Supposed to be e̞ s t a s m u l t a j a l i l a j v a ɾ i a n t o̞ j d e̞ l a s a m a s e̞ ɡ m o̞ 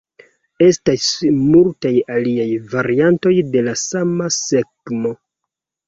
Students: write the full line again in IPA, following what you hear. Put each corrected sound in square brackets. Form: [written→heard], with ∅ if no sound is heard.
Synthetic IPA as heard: e̞ s t a s m u l t a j a l i [l→∅] a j v a ɾ i a n t o̞ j d e̞ l a s a m a s e̞ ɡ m o̞